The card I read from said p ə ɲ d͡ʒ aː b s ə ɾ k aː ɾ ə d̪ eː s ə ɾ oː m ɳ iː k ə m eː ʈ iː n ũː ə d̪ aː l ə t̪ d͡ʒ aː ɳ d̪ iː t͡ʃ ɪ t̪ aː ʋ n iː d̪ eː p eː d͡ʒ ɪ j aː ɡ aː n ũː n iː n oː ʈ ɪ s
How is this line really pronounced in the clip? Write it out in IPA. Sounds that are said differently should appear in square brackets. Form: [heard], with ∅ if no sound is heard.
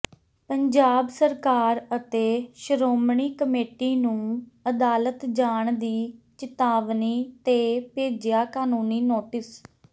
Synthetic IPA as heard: p ə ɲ d͡ʒ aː b s ə ɾ k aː ɾ ə [t̪] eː [ʃ] ə ɾ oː m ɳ iː k ə m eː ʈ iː n ũː ə d̪ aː l ə t̪ d͡ʒ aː ɳ d̪ iː t͡ʃ ɪ t̪ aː ʋ n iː [t̪] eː p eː d͡ʒ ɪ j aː [k] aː n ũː n iː n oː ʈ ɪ s